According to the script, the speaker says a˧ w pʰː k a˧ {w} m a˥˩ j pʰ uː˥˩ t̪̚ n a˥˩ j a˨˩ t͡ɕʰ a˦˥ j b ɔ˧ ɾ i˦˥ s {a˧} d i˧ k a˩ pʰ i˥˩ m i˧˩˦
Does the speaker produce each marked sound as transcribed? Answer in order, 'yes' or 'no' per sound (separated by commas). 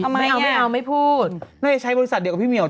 yes, no